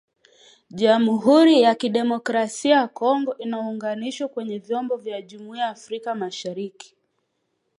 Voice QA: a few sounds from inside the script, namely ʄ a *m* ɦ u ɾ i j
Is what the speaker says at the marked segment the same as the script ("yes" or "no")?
yes